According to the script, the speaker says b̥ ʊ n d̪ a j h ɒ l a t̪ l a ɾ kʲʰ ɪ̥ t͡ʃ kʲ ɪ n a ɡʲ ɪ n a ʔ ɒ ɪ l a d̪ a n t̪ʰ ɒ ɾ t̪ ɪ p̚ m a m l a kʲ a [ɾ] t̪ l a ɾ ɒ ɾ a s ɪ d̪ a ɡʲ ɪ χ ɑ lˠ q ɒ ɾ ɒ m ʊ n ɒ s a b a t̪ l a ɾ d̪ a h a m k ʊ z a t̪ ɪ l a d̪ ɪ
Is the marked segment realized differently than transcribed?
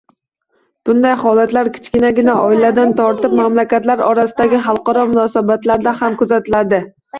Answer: yes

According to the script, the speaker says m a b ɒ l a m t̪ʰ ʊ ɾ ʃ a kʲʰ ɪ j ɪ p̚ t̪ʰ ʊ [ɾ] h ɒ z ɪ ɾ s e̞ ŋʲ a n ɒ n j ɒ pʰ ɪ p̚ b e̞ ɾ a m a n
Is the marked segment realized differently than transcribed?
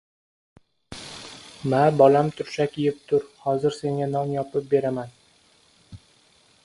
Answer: no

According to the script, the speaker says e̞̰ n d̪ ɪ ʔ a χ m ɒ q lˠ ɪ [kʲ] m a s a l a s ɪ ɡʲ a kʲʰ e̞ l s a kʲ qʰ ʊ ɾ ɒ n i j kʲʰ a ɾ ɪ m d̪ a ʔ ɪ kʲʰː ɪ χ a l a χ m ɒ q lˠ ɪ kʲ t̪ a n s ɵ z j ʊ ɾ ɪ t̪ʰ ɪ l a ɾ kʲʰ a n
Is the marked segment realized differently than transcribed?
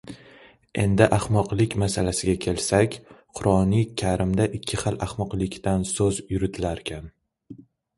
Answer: no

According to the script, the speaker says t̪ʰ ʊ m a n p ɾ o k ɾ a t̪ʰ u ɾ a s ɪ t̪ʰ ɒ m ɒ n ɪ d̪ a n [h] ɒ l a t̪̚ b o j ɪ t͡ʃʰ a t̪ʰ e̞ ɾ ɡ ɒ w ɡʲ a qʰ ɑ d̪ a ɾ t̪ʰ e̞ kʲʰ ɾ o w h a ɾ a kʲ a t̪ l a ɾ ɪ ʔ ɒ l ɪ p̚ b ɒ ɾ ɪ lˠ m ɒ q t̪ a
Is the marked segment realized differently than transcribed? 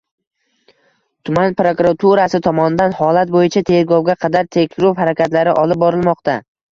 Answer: no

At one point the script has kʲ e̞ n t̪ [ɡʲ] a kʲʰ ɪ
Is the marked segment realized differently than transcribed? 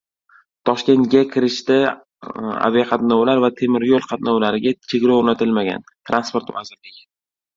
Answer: no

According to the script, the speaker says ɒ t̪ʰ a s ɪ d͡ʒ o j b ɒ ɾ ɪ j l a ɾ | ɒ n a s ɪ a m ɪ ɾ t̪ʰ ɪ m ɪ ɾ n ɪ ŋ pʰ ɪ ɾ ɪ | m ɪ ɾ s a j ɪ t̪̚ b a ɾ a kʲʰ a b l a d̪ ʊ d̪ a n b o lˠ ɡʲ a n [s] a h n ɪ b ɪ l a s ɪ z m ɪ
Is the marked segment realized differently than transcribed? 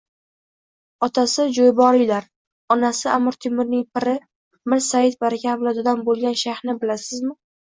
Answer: yes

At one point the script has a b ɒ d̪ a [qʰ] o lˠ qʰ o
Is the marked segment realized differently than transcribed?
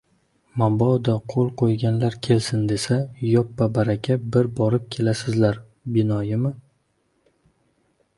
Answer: no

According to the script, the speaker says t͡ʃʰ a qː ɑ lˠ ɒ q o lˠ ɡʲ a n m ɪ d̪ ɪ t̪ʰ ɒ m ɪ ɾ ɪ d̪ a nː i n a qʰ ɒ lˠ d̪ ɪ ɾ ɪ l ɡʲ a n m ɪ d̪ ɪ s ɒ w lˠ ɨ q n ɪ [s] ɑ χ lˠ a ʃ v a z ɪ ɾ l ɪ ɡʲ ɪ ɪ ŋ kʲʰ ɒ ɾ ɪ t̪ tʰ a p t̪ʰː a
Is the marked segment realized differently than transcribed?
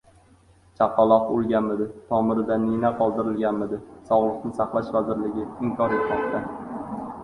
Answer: no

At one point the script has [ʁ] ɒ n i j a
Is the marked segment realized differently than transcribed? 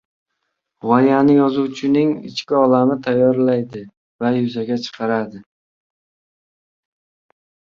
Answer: no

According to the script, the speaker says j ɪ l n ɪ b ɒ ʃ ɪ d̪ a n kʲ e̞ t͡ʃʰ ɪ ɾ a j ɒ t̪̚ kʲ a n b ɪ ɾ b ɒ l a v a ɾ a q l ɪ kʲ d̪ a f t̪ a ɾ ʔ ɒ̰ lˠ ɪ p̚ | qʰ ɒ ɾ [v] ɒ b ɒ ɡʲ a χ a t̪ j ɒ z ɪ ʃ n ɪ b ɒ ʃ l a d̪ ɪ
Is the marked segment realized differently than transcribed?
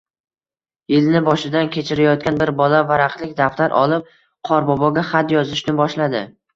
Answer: yes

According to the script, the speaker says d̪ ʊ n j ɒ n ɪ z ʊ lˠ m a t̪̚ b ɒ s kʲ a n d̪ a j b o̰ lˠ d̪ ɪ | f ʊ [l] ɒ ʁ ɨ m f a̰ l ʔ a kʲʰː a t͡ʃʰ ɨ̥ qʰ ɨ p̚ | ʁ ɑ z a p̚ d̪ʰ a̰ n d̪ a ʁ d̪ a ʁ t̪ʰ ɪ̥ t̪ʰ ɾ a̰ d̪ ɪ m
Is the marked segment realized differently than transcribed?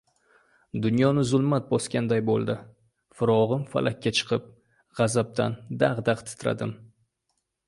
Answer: yes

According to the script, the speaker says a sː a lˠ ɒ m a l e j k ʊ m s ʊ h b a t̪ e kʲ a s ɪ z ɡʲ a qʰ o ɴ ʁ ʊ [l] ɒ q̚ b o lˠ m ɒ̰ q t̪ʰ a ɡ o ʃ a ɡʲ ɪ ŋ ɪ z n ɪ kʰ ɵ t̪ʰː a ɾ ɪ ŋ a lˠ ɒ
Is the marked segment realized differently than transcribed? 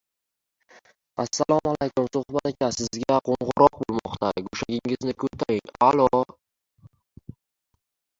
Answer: yes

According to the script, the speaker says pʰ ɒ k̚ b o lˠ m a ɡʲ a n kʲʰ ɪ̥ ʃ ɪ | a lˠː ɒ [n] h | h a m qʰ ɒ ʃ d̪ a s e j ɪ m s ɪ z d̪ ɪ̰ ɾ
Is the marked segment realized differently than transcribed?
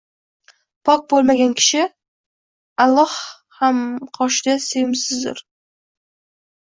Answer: yes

